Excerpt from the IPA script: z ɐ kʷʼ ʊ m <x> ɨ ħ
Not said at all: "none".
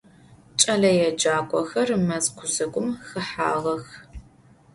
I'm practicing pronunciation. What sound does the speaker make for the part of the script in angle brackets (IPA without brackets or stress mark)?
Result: x